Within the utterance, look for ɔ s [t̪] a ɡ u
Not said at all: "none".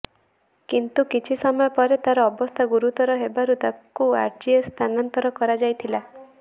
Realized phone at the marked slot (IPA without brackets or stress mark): t̪ʰ